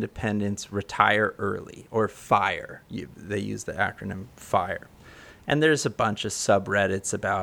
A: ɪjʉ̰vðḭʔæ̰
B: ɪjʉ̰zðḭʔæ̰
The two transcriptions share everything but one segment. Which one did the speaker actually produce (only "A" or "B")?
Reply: B